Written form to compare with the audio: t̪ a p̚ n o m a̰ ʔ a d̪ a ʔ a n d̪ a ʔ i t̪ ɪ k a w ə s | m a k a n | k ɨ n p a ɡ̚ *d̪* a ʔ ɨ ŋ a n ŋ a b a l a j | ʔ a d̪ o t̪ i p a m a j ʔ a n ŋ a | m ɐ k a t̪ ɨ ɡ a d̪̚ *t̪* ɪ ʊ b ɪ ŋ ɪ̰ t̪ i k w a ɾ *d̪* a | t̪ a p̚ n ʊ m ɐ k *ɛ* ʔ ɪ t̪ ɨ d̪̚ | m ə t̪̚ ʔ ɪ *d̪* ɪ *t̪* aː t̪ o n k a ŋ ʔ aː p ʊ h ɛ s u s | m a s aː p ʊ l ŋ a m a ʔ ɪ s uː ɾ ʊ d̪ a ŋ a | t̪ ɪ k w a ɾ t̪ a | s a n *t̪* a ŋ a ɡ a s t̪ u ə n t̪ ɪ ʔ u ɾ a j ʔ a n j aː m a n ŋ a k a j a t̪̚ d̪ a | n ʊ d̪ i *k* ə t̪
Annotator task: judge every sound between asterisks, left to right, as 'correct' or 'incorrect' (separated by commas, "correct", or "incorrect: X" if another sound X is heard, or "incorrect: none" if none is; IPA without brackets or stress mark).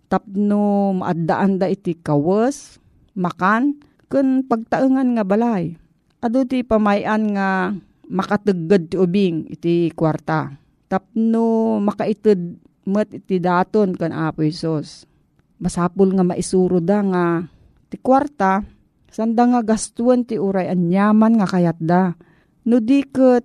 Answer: incorrect: t̪, correct, incorrect: t̪, incorrect: a, incorrect: t̪, incorrect: d̪, incorrect: d̪, correct